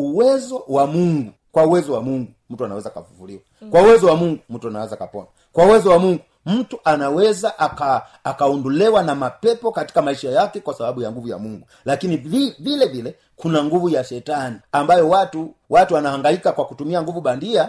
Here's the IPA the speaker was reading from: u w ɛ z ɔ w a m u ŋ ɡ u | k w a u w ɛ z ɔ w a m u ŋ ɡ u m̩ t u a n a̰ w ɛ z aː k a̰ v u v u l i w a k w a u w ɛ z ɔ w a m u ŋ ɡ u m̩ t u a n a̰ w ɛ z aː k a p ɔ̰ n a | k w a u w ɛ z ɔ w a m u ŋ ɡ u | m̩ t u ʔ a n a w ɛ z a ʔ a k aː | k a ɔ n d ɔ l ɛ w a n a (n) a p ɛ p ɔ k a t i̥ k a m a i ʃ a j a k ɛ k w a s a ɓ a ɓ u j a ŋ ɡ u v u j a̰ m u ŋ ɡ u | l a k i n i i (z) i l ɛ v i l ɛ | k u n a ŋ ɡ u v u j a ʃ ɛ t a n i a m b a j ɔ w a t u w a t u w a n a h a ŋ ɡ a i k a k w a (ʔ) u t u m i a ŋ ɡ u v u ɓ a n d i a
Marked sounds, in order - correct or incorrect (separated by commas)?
incorrect, incorrect, incorrect